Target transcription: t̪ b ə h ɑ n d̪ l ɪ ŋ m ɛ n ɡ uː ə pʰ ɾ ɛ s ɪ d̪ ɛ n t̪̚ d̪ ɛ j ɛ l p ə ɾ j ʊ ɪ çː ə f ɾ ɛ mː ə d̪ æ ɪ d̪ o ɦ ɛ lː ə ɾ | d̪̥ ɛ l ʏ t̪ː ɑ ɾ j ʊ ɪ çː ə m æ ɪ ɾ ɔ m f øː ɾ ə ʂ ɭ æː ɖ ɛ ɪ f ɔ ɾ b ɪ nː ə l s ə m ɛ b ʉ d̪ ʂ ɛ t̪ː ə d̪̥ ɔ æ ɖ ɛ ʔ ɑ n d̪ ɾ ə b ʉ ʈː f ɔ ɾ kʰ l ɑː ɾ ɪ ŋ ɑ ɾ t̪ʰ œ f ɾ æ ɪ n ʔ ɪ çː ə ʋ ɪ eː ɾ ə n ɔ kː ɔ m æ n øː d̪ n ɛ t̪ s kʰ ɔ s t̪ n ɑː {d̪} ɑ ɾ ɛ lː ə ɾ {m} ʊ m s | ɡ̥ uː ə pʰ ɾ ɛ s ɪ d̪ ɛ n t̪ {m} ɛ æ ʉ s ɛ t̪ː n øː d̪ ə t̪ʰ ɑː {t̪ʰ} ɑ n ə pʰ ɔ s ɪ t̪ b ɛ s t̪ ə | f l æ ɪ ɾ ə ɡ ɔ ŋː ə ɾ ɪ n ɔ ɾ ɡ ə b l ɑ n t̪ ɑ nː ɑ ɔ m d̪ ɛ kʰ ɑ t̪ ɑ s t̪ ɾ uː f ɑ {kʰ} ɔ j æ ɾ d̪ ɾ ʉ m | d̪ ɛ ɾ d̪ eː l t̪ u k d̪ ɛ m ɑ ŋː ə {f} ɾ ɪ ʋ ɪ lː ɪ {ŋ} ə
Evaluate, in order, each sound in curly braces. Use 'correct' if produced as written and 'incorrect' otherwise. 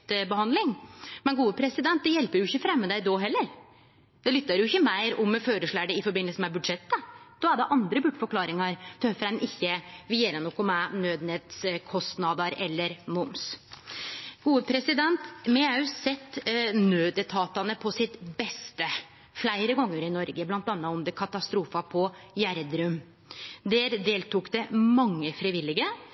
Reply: correct, correct, correct, incorrect, incorrect, correct, incorrect

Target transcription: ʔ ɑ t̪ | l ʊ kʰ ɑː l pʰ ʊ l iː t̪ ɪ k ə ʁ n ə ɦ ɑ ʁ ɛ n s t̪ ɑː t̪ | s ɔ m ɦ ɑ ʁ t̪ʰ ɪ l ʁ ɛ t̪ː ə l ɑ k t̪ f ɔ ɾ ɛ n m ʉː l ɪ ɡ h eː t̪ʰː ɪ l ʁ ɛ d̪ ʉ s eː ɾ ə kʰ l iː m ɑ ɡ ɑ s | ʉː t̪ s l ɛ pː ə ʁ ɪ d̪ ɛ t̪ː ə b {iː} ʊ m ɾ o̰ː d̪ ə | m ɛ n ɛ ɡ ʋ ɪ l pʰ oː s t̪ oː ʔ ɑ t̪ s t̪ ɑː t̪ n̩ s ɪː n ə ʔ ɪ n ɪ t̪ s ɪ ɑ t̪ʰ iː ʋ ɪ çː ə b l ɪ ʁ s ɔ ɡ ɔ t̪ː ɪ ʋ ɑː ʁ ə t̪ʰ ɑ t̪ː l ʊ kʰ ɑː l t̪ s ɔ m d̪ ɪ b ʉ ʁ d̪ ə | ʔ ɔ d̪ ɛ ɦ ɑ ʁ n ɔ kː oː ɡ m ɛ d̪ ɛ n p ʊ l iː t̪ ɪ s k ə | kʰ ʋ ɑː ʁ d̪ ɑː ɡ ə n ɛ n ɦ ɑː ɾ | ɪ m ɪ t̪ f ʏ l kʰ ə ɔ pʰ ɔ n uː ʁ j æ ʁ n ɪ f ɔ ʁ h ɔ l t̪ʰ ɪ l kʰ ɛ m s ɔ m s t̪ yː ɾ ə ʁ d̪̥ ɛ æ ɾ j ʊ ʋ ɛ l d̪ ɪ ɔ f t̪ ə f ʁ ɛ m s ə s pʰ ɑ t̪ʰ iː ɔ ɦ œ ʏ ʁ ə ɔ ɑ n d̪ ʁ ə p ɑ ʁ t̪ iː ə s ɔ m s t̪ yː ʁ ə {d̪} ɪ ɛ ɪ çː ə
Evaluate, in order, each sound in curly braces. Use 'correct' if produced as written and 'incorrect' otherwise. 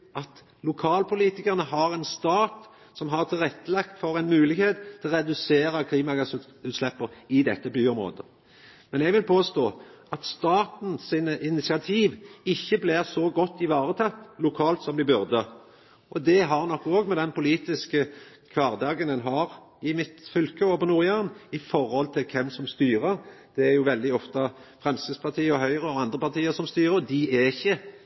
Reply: incorrect, correct

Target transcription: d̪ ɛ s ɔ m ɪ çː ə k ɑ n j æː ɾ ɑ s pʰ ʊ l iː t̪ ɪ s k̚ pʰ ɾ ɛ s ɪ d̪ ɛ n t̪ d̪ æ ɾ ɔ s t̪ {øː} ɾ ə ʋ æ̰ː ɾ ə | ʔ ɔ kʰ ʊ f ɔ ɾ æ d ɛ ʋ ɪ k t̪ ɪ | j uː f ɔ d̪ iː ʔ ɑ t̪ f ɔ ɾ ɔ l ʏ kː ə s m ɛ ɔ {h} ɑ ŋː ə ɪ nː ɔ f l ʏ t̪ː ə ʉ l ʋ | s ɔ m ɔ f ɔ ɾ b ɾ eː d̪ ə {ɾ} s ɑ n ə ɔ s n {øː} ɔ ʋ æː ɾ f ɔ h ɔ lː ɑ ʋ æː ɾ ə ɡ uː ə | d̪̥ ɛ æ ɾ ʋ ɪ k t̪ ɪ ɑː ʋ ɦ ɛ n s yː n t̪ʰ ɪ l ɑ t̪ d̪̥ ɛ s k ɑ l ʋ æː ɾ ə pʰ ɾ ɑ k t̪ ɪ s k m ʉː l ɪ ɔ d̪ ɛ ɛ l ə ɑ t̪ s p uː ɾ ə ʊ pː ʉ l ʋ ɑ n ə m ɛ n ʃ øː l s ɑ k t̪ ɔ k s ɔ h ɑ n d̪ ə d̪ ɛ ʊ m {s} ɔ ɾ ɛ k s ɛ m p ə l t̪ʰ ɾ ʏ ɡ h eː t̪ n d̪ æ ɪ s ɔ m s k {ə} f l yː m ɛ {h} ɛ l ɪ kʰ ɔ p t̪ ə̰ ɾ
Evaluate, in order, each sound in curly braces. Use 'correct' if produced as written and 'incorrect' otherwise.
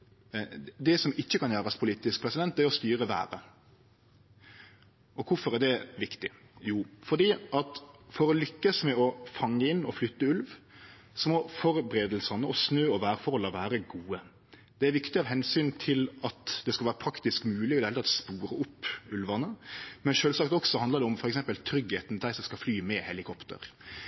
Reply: incorrect, incorrect, incorrect, correct, incorrect, incorrect, correct

